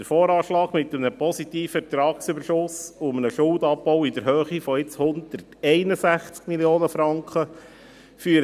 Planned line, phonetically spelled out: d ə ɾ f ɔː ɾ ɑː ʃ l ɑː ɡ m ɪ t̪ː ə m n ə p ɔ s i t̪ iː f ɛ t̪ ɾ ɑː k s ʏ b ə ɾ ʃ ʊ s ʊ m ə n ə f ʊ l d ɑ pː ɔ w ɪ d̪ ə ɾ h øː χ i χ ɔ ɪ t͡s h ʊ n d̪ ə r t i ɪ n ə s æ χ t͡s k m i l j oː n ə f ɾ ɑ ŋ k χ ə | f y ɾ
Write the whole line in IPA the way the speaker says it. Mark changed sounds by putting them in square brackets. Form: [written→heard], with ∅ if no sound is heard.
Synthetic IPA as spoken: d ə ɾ f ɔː ɾ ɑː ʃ l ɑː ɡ m ɪ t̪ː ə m n ə p ɔ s i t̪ iː f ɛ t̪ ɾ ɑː k s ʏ b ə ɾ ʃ ʊ s ʊ m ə n ə [f→ʃ] ʊ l d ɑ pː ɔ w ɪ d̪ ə ɾ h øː χ i [χ→f] ɔ ɪ t͡s h ʊ n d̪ ə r t [i→ɛ] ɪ n ə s æ χ t͡s k m i l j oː n ə f ɾ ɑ ŋ k χ ə | f y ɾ